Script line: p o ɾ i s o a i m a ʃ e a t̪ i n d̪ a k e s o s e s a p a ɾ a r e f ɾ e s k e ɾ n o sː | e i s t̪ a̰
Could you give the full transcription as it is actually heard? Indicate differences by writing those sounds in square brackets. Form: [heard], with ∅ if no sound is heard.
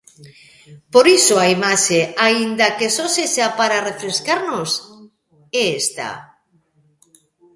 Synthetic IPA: p o ɾ i s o a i m a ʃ e a [∅] i n d̪ a k e s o s e [ʃ] a p a ɾ a r e f ɾ e s k [a] ɾ n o [s] | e [e] s t̪ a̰